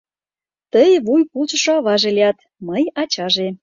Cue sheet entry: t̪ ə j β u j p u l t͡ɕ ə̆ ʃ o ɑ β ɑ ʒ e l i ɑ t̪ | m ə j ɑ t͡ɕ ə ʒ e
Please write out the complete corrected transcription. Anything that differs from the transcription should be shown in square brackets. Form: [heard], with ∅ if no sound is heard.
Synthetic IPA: t̪ ə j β u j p u l t͡ɕ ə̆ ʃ o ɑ β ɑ ʒ e l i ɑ t̪ | m ə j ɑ t͡ɕ [ɑ] ʒ e